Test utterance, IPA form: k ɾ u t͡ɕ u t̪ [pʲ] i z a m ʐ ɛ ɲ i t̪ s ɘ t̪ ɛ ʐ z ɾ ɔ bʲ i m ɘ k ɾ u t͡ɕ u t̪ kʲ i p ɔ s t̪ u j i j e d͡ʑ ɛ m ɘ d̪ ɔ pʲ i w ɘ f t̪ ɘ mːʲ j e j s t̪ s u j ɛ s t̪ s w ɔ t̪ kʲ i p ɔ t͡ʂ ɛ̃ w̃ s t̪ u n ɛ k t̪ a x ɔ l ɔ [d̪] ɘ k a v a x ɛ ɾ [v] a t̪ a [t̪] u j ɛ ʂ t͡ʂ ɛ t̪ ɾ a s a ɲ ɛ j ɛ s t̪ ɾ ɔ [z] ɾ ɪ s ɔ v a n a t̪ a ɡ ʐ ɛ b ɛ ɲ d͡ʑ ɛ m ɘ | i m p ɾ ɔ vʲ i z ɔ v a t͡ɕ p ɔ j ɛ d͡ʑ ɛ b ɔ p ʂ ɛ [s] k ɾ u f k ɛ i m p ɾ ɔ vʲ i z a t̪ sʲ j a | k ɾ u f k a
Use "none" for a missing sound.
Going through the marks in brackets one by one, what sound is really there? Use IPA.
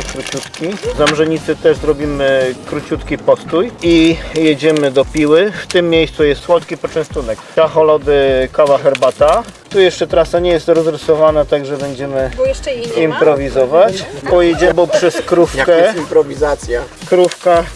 kʲ, d̪, b, t̪, z, s

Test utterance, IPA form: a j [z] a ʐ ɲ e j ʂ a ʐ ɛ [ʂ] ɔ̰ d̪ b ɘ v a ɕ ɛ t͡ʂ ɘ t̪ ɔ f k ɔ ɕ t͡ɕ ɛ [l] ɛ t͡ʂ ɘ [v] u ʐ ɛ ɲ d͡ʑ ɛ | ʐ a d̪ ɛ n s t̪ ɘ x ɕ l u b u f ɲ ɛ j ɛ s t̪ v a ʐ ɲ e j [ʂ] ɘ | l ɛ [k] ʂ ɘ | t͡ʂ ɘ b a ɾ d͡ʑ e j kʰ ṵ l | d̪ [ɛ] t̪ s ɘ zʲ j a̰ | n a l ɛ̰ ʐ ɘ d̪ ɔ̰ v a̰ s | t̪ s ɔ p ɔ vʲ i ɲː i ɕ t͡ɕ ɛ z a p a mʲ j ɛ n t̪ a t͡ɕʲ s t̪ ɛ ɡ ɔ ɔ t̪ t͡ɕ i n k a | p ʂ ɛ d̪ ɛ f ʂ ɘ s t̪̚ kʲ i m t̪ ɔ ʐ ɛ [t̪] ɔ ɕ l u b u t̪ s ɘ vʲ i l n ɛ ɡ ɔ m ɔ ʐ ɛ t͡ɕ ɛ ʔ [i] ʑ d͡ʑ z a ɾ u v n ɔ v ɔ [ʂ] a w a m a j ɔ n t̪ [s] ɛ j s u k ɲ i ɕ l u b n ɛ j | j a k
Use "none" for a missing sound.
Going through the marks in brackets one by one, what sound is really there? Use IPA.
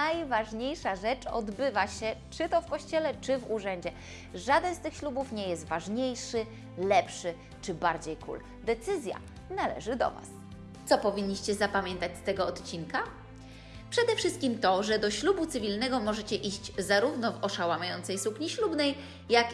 v, t͡ʂ, l, v, ʂ, p, ɛ, d̪, i, ʂ, s

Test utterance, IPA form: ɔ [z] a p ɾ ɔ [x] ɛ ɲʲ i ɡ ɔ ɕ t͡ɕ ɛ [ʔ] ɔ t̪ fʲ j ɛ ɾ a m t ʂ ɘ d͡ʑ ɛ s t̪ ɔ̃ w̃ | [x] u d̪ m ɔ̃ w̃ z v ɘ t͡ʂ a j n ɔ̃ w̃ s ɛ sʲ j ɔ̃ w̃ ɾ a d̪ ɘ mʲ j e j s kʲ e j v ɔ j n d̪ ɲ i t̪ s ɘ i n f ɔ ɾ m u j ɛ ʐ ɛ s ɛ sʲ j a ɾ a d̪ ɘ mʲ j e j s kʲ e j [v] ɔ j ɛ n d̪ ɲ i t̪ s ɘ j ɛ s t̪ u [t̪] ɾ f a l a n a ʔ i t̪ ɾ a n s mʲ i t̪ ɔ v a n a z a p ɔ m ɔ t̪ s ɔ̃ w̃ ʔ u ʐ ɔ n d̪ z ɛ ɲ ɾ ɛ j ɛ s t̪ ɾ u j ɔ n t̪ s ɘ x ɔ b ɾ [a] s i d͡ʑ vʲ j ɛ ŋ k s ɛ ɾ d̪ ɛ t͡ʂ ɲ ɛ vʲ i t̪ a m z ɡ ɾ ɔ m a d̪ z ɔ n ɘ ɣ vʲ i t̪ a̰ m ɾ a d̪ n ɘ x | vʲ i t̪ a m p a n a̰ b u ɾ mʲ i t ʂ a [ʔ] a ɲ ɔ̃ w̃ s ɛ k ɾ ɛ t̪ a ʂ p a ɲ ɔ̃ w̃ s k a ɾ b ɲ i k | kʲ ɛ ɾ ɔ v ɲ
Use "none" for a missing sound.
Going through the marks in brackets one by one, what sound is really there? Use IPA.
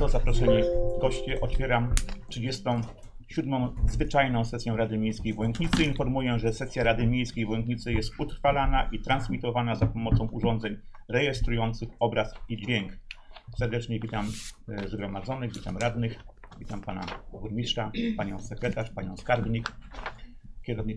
z, ʂ, ʔ, ɕ, v, t̪, a, p

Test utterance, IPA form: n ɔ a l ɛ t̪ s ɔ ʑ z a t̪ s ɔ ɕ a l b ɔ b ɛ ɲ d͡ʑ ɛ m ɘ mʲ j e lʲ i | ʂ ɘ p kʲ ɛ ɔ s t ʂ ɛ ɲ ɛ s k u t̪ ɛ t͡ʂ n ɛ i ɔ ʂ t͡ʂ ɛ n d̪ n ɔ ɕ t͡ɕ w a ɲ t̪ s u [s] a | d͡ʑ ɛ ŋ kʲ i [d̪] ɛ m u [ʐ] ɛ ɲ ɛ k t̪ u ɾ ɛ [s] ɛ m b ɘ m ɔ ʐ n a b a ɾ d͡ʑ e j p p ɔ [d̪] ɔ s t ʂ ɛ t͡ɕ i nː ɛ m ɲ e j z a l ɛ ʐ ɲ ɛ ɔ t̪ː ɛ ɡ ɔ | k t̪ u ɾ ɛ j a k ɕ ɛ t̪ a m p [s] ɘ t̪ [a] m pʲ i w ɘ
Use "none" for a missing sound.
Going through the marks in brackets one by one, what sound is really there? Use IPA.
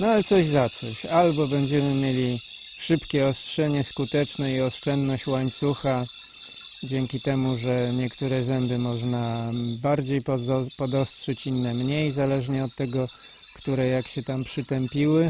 x, t̪, ʐ, z, d̪, ʂ, ɛ

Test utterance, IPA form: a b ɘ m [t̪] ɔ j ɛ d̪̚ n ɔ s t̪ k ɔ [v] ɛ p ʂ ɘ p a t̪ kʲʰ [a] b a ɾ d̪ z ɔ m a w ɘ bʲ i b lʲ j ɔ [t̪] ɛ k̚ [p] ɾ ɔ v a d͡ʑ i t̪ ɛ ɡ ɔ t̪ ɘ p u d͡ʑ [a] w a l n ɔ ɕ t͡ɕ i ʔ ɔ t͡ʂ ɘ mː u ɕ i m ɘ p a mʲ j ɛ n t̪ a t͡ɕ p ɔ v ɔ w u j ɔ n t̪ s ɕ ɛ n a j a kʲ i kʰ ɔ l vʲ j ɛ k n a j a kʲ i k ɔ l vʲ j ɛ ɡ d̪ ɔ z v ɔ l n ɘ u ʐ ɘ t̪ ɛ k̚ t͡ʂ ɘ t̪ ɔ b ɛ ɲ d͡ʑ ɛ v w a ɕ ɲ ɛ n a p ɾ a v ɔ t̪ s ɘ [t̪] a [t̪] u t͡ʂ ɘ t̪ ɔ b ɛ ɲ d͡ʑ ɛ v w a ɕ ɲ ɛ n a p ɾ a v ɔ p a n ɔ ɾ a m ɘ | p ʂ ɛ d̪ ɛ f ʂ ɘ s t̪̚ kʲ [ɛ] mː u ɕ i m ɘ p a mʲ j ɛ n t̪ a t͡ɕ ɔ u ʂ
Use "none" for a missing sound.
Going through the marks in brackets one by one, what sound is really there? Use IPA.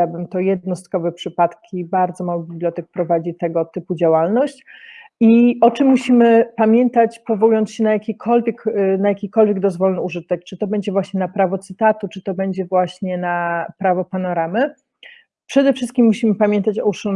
t̪, v, i, t̪, p, a, t̪, t̪, i

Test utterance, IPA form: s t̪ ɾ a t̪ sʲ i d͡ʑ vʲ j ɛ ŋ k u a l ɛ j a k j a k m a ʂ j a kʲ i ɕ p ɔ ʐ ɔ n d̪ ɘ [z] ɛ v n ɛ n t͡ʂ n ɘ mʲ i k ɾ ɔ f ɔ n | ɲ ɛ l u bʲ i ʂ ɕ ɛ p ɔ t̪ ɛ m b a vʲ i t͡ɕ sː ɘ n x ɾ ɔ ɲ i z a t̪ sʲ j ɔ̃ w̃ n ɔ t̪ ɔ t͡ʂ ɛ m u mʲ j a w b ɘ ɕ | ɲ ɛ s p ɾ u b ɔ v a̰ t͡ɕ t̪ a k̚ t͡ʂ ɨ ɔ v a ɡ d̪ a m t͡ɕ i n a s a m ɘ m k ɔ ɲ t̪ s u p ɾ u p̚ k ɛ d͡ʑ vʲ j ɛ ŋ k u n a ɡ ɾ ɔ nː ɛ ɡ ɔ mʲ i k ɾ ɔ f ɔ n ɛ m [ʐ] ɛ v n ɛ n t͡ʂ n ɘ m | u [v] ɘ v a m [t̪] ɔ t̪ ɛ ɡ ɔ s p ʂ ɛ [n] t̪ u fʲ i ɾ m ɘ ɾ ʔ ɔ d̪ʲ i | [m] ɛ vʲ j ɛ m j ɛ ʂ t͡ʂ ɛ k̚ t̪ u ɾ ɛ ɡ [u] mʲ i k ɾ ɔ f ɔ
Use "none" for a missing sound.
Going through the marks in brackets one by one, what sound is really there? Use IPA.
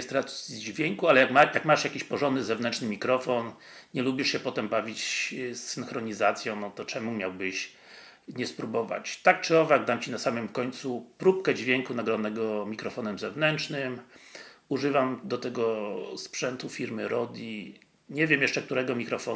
z, z, ʐ, d̪, n, ɲ, ɔ

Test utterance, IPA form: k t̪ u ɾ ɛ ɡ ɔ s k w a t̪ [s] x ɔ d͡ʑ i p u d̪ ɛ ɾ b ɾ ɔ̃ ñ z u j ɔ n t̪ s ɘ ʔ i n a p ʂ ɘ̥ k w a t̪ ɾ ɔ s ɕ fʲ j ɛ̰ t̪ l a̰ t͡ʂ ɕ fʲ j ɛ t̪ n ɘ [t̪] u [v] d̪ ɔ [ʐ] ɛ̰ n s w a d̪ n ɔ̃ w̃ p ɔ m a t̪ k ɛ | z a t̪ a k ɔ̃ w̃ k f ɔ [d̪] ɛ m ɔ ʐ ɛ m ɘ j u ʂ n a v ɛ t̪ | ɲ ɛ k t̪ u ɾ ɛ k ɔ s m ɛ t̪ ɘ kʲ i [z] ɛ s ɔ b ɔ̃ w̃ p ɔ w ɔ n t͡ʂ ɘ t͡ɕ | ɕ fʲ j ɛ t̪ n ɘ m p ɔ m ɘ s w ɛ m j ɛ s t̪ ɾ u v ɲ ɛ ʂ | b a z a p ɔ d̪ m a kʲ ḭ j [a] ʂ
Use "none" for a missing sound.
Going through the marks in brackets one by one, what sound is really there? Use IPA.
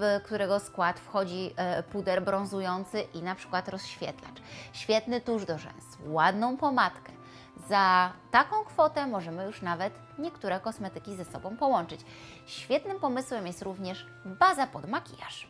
f, t̪, ʐ, ʐ, t̪, z, a

